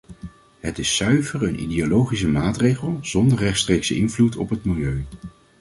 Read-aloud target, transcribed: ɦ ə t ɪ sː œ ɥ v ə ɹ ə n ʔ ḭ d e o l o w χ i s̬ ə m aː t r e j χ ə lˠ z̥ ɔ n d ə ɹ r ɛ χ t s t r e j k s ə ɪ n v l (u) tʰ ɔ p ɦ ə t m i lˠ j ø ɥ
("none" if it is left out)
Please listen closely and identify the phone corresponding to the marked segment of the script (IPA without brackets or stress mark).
u